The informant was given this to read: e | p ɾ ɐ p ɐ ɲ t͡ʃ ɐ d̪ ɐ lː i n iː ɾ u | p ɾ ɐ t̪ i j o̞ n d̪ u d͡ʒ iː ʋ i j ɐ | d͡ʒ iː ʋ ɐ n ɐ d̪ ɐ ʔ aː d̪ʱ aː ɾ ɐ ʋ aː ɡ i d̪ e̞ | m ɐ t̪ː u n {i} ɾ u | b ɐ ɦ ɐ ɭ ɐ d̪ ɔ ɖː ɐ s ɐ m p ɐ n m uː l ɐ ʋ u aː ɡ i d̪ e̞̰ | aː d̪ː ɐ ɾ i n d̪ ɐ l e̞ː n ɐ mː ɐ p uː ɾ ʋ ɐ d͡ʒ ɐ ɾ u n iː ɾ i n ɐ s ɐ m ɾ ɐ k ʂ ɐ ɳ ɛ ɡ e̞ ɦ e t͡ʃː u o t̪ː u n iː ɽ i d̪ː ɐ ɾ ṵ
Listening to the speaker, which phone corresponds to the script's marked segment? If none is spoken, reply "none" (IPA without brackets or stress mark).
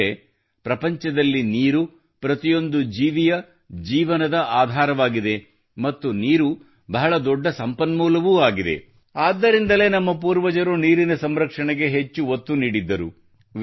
iː